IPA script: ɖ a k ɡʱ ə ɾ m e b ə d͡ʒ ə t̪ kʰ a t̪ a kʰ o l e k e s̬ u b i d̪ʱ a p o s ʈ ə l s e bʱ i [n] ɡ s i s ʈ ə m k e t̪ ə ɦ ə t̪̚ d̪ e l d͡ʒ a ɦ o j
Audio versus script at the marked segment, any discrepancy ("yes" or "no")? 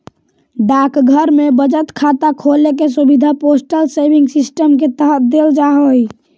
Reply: yes